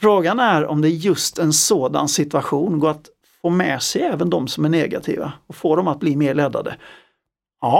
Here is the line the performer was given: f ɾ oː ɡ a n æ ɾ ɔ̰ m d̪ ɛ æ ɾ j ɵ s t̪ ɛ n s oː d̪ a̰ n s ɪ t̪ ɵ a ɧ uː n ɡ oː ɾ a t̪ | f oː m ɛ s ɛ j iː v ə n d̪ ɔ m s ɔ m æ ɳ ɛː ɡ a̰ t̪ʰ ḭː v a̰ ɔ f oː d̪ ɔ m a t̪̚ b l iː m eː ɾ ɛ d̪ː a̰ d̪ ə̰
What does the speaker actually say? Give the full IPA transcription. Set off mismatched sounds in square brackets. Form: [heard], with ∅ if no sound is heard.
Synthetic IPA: f ɾ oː ɡ a n æ ɾ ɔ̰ m d̪ ɛ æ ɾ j ɵ s t̪ ɛ n s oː d̪ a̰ n s ɪ t̪ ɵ a ɧ uː n ɡ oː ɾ a t̪ | f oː m ɛ s ɛ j [ɛː] v ə n d̪ ɔ m s ɔ m æ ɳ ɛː ɡ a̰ t̪ʰ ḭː v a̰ ɔ f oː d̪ ɔ m a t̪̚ b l iː m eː [ɭ] ɛ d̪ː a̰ d̪ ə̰